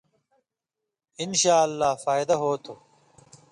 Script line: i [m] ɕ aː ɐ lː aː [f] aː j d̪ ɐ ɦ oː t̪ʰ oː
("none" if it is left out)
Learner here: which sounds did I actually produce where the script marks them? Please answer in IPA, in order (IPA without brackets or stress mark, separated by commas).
n, f